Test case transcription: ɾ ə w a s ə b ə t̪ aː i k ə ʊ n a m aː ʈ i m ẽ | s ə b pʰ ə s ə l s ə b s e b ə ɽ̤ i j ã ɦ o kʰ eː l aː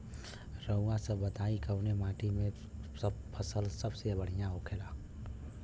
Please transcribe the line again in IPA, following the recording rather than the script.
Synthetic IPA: ɾ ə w a s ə b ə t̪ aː i k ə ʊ n e m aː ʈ i m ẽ | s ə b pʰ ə s ə l s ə b s e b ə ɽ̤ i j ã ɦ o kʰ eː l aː